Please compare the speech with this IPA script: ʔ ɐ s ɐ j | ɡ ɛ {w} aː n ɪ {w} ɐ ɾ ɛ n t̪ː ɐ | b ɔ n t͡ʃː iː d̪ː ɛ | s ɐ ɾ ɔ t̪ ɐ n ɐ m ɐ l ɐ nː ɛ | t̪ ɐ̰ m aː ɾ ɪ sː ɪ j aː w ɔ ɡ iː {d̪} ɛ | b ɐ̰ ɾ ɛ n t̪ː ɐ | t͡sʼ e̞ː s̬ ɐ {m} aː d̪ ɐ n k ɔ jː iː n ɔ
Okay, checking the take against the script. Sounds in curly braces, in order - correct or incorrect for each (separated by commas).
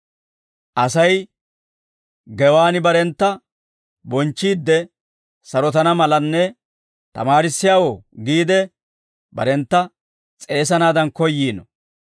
correct, incorrect, correct, incorrect